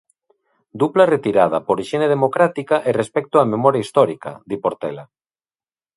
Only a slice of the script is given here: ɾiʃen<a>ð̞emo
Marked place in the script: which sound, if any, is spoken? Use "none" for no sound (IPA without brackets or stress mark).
e